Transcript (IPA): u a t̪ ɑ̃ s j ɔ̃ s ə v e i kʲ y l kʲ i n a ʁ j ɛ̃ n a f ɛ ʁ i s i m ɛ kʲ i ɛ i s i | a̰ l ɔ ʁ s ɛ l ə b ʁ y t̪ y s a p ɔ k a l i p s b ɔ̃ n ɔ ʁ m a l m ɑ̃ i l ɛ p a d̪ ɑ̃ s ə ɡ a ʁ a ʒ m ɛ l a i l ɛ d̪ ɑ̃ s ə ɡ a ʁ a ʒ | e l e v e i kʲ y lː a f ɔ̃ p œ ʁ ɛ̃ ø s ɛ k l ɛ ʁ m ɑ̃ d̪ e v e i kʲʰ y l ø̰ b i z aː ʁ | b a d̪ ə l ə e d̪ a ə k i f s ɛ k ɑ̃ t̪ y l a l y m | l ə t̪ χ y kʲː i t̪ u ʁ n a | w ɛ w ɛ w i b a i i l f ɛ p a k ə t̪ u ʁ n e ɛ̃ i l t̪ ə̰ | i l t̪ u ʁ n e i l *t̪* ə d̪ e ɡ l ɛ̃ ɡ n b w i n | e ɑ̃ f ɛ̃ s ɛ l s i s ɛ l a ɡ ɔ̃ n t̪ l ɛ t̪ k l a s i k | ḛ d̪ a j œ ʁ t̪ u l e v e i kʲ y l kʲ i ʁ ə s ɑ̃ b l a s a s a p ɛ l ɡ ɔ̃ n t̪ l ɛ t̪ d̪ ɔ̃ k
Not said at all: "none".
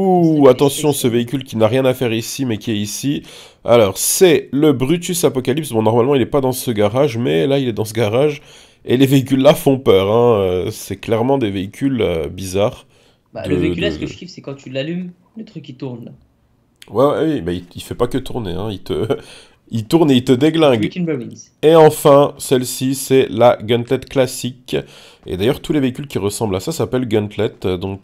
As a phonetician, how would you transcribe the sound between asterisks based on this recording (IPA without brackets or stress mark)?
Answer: t̪